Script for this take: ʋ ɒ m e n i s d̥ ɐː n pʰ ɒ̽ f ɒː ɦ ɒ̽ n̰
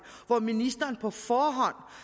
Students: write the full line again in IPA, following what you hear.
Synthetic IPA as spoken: ʋ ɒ m i n i s d̥ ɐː n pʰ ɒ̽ f ɒː ɦ ɒ̽ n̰